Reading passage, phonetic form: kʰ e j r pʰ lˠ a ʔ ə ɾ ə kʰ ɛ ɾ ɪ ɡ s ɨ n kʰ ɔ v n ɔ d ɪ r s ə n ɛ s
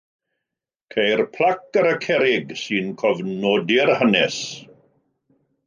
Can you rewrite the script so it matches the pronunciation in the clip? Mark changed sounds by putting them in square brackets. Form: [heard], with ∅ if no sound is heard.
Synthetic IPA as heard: kʰ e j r pʰ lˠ a [k] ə ɾ ə kʰ ɛ ɾ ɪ ɡ s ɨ n kʰ ɔ v n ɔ d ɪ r [h] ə n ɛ s